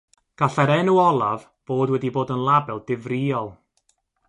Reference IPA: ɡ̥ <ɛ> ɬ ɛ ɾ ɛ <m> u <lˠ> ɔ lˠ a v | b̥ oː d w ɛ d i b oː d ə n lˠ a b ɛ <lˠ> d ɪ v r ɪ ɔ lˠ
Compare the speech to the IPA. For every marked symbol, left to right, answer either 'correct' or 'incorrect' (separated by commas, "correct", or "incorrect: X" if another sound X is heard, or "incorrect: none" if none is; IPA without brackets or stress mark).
incorrect: a, incorrect: n, incorrect: none, correct